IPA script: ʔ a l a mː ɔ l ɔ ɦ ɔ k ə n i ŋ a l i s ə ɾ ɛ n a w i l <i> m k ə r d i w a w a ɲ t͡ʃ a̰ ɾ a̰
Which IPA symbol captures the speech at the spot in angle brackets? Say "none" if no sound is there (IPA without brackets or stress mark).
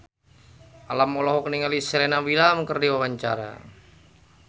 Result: a